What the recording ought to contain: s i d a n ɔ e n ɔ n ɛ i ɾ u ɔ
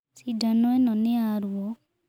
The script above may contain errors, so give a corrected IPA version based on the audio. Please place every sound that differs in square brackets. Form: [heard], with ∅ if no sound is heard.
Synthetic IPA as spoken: s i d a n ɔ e n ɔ n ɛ [a] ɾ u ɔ